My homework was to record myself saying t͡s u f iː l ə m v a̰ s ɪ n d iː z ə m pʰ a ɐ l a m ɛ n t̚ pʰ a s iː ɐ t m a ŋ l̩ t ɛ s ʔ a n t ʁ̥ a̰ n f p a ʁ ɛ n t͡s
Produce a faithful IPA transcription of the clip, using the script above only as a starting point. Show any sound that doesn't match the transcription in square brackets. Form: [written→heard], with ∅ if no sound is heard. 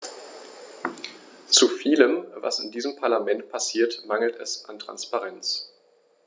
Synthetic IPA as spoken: t͡s u f iː l ə m v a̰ s ɪ n d iː z ə m pʰ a ɐ l a m ɛ n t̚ pʰ a s iː ɐ t m a ŋ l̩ t ɛ s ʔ a n t ʁ̥ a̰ n [f→s] p a ʁ ɛ n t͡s